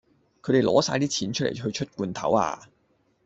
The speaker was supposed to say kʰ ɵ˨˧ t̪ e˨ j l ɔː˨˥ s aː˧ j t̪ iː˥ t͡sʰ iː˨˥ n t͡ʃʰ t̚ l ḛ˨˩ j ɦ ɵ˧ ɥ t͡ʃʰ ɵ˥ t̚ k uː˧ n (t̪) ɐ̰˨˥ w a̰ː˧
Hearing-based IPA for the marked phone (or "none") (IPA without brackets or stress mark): t̪ʰ